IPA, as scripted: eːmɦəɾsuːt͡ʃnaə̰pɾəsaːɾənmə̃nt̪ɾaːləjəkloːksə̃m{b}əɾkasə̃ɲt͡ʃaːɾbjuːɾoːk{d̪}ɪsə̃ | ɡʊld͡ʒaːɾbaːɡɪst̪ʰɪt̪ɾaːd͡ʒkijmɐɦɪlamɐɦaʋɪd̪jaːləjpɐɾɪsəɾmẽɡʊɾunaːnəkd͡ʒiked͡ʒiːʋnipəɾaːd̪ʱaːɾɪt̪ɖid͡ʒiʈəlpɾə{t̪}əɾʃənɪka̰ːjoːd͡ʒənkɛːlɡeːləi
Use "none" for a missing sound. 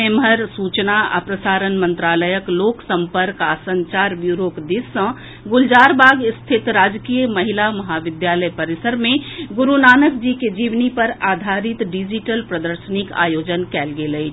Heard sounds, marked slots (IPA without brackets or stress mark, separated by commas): p, d̪, d̪